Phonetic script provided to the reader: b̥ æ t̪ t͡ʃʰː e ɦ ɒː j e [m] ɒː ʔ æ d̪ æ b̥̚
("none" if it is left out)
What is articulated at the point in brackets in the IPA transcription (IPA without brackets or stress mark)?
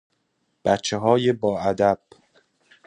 b